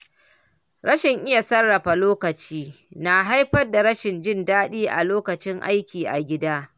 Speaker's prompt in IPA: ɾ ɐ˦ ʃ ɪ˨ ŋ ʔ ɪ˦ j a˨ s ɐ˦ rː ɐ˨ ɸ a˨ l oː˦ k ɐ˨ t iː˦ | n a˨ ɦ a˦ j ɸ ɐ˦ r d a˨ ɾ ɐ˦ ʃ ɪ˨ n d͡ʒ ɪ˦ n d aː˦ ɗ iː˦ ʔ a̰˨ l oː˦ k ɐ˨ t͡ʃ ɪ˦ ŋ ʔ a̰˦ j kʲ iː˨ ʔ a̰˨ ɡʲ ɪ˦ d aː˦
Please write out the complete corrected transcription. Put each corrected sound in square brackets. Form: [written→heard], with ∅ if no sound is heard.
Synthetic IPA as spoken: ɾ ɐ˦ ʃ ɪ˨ ŋ ʔ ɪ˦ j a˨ s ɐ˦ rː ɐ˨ ɸ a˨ l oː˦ k ɐ˨ [t→t͡ʃ] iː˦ | n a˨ ɦ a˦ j ɸ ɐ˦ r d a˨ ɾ ɐ˦ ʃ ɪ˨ n d͡ʒ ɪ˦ n d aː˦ ɗ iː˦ ʔ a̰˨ l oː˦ k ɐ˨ t͡ʃ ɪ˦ ŋ ʔ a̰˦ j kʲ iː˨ ʔ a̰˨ ɡʲ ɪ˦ d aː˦